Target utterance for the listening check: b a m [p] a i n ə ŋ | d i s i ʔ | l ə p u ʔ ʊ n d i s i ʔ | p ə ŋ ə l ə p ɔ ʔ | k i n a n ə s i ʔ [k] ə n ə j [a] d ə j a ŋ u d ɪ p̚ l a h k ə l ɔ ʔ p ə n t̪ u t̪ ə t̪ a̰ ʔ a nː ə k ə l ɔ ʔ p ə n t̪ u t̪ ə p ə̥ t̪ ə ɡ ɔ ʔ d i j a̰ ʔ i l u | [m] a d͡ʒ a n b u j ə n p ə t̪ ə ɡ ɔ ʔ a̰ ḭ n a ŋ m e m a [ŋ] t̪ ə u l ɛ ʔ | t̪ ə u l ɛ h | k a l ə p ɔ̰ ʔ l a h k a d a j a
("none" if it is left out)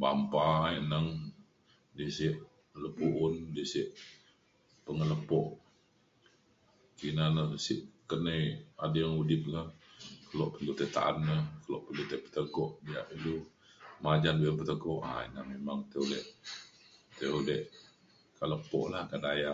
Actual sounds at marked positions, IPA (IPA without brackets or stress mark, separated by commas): p, k, a, m, ŋ